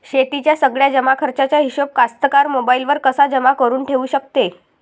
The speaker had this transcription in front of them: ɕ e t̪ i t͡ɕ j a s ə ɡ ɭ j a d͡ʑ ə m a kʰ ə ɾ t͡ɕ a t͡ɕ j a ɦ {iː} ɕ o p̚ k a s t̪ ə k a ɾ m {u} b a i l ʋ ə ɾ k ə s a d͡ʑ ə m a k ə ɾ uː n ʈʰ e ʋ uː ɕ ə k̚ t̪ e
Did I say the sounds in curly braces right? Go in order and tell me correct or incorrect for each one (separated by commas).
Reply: incorrect, incorrect